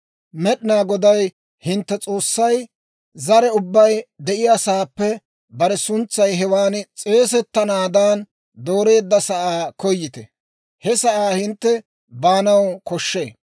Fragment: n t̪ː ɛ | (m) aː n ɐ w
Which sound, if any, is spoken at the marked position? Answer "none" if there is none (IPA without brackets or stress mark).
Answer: b